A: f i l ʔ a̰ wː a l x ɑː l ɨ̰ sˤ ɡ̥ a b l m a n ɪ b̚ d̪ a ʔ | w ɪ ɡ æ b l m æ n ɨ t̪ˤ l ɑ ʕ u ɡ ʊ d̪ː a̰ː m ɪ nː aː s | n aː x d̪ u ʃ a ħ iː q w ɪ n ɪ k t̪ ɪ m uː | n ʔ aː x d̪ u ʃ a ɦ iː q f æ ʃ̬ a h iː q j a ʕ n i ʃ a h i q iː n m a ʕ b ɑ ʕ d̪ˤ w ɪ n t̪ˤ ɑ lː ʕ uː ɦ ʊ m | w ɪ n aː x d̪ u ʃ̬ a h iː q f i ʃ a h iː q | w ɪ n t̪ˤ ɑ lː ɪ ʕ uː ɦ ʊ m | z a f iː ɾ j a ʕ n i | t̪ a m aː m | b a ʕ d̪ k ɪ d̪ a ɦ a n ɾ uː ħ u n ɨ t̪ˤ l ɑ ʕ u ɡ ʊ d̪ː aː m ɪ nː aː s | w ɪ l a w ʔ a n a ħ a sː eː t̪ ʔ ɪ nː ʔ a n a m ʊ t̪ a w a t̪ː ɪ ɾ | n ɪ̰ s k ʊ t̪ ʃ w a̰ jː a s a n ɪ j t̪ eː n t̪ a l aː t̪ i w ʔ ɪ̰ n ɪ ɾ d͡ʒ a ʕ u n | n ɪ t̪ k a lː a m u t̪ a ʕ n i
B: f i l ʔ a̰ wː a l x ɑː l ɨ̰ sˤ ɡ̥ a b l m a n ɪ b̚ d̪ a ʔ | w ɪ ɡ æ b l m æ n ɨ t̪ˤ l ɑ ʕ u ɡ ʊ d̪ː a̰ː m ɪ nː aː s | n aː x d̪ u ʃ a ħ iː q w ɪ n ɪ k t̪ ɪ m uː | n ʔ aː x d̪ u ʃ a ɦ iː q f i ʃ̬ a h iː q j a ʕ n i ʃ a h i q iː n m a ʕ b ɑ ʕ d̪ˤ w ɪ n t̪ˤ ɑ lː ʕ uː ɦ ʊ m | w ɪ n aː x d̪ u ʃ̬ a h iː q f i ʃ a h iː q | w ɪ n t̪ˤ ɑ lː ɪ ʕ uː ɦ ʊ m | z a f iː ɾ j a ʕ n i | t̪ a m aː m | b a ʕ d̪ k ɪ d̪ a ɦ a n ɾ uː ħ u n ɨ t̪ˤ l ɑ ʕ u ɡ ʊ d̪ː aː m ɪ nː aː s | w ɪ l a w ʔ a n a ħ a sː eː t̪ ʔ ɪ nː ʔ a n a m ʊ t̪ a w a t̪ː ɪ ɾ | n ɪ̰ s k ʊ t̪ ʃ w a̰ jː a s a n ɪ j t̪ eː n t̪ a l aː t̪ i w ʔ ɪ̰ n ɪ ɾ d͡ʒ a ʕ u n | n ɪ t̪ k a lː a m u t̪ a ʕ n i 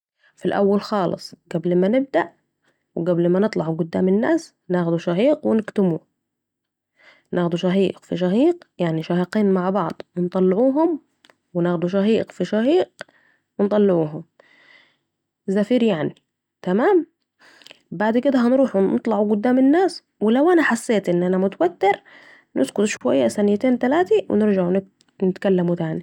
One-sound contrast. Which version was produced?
B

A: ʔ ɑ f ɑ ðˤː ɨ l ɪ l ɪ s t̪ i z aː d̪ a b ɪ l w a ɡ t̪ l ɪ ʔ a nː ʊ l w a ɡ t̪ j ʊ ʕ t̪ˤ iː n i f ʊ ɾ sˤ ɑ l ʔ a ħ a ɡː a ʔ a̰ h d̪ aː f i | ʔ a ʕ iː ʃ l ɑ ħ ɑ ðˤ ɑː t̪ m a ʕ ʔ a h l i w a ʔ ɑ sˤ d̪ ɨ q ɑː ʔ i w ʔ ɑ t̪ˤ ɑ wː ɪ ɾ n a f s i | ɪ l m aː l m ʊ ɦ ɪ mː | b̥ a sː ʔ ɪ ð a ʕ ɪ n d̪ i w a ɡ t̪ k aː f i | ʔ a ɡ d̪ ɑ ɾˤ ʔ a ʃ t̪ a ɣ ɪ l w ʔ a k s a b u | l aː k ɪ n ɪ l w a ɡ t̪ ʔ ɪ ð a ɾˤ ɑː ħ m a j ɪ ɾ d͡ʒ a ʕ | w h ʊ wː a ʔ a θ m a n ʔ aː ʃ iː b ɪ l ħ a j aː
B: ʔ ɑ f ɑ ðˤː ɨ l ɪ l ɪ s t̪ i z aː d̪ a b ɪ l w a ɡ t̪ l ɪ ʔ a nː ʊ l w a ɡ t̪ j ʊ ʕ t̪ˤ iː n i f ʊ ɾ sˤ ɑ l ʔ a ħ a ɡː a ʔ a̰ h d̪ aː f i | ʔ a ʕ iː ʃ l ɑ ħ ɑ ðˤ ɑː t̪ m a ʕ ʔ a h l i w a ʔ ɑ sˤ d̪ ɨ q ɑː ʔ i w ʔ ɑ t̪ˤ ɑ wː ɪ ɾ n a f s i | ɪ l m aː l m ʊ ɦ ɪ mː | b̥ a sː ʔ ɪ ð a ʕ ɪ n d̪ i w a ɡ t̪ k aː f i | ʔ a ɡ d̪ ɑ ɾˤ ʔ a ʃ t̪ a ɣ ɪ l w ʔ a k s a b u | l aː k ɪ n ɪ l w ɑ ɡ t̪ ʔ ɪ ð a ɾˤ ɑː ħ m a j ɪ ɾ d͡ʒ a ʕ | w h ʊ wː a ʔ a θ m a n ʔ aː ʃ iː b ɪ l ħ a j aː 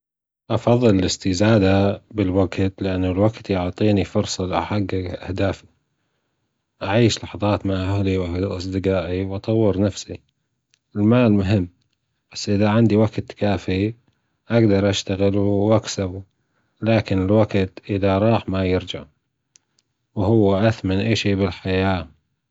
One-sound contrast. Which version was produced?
A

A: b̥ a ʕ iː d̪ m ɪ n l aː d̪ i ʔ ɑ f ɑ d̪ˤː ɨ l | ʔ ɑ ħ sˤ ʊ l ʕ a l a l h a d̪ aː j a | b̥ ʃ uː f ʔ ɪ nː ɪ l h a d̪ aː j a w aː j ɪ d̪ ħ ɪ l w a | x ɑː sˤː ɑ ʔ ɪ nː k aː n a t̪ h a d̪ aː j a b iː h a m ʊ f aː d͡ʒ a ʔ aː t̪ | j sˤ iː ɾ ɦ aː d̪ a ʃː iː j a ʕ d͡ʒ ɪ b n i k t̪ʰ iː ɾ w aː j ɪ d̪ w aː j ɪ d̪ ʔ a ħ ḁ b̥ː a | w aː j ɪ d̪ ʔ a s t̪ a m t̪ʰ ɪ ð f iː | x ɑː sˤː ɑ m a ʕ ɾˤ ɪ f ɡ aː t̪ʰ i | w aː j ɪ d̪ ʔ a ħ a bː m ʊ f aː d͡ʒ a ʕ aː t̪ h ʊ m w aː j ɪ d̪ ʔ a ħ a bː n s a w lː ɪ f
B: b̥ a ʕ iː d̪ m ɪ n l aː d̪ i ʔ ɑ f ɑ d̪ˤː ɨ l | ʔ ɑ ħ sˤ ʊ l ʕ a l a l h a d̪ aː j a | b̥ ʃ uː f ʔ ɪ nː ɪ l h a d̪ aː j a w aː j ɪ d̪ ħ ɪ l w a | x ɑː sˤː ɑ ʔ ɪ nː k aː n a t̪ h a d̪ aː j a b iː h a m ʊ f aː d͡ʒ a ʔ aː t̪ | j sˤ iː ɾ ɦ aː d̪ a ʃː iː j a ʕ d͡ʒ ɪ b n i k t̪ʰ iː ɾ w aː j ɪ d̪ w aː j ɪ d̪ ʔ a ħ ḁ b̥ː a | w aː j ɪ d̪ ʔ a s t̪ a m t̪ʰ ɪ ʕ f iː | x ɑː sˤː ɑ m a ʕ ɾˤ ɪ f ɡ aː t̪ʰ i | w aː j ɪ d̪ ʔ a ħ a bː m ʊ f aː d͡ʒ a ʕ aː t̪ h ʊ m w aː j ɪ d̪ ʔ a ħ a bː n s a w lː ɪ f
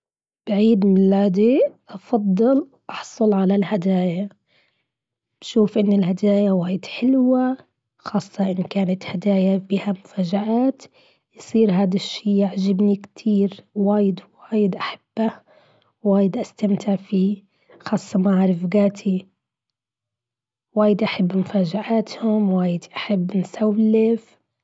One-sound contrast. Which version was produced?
B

